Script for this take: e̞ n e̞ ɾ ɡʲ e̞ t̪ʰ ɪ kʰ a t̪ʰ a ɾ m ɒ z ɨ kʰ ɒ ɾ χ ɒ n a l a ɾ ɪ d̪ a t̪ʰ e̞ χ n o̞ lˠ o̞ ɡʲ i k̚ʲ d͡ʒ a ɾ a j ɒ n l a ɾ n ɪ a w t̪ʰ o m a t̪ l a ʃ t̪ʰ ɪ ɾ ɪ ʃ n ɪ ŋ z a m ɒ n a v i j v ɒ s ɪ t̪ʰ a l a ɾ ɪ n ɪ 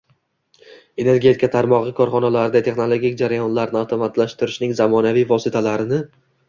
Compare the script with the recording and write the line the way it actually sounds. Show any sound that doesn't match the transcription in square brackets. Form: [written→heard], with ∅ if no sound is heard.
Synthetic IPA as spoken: e̞ n e̞ ɾ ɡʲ e̞ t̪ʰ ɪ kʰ a t̪ʰ a ɾ m ɒ [z→ʁ] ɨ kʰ ɒ ɾ χ ɒ n a l a ɾ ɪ d̪ a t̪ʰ e̞ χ n o̞ lˠ o̞ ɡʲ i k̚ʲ d͡ʒ a ɾ a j ɒ n l a ɾ n ɪ a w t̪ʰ o m a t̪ l a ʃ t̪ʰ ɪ ɾ ɪ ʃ n ɪ ŋ z a m ɒ n a v i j v ɒ s ɪ t̪ʰ a l a ɾ ɪ n ɪ